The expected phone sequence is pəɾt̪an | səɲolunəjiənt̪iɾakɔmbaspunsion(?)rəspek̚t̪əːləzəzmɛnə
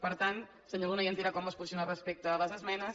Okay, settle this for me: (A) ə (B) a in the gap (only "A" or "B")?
B